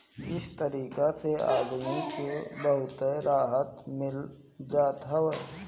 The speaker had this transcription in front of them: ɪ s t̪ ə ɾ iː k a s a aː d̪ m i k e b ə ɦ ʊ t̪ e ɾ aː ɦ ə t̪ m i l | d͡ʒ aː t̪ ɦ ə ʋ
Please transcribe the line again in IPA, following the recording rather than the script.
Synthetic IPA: ɪ s t̪ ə ɾ iː k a s e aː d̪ m i k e b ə ɦ ʊ t̪ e ɾ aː ɦ ə t̪ m ɪ l | d͡ʒ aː t̪ ɦ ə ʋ